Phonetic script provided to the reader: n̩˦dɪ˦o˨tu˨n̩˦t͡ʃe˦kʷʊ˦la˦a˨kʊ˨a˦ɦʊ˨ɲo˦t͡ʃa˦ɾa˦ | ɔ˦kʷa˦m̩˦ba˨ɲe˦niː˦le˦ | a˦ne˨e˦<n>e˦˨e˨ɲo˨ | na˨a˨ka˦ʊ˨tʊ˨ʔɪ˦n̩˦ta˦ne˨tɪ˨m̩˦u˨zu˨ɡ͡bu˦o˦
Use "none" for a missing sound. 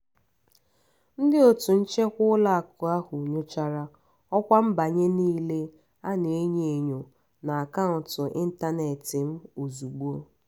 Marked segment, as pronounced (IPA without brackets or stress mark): ɲ